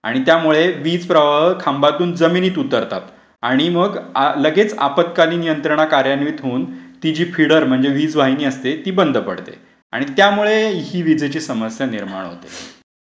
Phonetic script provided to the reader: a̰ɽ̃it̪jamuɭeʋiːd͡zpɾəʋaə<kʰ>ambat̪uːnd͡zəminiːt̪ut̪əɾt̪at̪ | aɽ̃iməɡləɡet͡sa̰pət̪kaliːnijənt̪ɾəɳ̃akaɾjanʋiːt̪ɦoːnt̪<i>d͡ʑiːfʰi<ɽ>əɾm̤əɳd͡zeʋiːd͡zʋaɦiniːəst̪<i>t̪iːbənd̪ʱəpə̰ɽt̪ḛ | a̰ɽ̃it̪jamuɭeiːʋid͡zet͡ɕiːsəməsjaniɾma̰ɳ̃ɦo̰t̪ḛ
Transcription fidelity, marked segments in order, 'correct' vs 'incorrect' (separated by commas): correct, correct, correct, incorrect